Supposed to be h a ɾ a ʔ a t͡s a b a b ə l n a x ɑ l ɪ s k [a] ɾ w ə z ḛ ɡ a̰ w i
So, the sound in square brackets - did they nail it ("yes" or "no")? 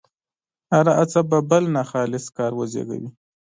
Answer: no